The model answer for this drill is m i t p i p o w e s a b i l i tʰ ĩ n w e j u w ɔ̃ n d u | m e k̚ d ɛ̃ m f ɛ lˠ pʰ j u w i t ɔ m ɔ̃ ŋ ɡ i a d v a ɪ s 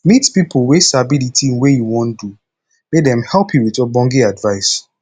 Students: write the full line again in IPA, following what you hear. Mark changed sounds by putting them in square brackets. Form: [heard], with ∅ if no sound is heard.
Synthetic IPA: m i t p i p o w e s a b i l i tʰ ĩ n w e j u w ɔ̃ n d u | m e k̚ d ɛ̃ m [h] ɛ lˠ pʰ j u w i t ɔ [b] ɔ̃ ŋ ɡ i a d v a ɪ s